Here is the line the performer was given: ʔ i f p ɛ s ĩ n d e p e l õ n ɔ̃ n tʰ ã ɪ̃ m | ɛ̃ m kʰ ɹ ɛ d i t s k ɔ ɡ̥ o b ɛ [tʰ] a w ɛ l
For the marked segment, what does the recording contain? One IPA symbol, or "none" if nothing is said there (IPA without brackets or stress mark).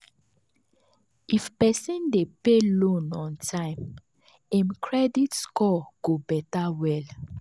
t